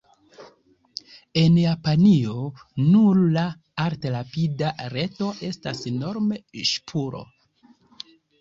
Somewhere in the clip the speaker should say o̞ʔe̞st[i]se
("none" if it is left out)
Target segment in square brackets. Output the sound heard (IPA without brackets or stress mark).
a